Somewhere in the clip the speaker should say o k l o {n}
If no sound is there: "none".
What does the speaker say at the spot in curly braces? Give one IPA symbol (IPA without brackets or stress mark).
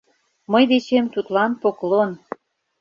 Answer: n